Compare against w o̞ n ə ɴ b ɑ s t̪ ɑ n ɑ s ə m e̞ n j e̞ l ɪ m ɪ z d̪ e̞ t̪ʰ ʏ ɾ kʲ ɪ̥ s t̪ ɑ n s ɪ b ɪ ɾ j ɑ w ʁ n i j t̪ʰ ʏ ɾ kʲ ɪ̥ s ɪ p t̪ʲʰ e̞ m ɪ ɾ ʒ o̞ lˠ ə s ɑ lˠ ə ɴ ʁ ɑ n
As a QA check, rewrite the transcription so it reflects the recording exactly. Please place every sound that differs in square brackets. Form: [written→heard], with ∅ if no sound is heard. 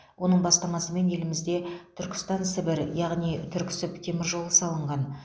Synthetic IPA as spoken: w o̞ n ə ɴ b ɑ s t̪ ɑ [n→m] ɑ s ə m e̞ n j e̞ l ɪ m ɪ z d̪ e̞ t̪ʰ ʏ ɾ kʲ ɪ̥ s t̪ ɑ n s ɪ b ɪ ɾ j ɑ [w→∅] ʁ n i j t̪ʰ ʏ ɾ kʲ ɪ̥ s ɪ p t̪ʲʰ e̞ m ɪ ɾ ʒ o̞ lˠ ə s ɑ lˠ ə ɴ ʁ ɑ n